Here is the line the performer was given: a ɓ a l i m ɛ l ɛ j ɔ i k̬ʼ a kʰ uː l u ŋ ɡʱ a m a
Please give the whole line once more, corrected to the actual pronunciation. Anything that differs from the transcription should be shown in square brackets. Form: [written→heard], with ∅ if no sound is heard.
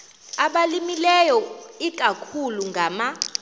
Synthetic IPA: a ɓ a l i m [ɛ→i] l ɛ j ɔ i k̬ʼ a kʰ [uː→u] l u ŋ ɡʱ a m a